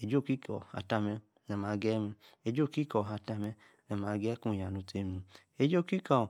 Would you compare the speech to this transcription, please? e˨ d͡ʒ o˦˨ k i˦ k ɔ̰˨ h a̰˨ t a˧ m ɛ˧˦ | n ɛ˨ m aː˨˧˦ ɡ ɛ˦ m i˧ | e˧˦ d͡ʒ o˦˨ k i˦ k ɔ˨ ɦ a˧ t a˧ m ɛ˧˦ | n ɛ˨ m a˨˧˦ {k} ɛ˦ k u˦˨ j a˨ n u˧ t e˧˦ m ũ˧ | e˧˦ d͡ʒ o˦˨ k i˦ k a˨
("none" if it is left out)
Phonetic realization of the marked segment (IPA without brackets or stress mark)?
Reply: ɡ